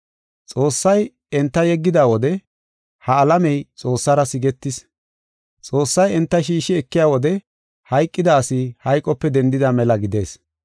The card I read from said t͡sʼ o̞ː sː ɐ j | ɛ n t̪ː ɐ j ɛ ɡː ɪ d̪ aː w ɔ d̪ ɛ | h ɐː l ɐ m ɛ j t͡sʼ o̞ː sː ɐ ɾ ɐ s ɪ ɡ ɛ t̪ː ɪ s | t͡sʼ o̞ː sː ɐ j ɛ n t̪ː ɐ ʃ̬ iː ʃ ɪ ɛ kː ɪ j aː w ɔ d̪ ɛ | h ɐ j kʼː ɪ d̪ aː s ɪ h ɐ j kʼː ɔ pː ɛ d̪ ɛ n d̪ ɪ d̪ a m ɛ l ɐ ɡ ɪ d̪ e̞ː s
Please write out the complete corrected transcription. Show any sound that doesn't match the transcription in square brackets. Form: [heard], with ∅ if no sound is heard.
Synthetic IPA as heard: t͡sʼ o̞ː sː ɐ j | ɛ n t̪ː ɐ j ɛ ɡː ɪ d̪ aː w ɔ d̪ ɛ | h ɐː l ɐ m ɛ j t͡sʼ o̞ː sː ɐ ɾ ɐ s ɪ ɡ ɛ t̪ː ɪ s | t͡sʼ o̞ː sː ɐ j ɛ n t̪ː ɐ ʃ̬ iː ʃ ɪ ɛ kː ɪ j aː w ɔ d̪ ɛ | h ɐ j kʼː ɪ d̪ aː s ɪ h ɐ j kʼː ɔ pː ɛ d̪ ɛ n d̪ ɪ d̪ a m ɛ l ɐ ɡ ɪ d̪ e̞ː s